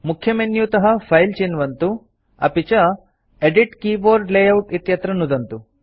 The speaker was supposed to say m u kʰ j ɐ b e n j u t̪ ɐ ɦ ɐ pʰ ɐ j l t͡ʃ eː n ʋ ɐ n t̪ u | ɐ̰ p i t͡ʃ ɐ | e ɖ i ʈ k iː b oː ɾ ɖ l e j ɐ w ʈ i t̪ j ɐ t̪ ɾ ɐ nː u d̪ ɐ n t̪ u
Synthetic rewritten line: m u kʰ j ɐ m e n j u t̪ ɐ ɦ ɐ pʰ ɐ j l t͡ʃ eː n ʋ ɐ n t̪ u | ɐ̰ p i t͡ʃ ɐ | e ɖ i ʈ k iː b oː ɾ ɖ l e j ɐ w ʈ i t̪ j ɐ t̪ ɾ ɐ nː u d̪ ɐ n t̪ u